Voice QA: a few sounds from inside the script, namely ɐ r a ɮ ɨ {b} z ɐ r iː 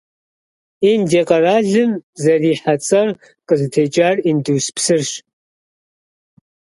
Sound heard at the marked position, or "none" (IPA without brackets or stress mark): m